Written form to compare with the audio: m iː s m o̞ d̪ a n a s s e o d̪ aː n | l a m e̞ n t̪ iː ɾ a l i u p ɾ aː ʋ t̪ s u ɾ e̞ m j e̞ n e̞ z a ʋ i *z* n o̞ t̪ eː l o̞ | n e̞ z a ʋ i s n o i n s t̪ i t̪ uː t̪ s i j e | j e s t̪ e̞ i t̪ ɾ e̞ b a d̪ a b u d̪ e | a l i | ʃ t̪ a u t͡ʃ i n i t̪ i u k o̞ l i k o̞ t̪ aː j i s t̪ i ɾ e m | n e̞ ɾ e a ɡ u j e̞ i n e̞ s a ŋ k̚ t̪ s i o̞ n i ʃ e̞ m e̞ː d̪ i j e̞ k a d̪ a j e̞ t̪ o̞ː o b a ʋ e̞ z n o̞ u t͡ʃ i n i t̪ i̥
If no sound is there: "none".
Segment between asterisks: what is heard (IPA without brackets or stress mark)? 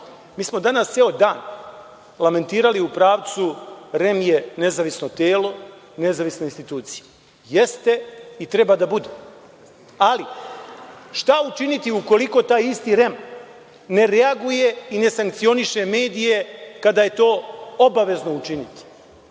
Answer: s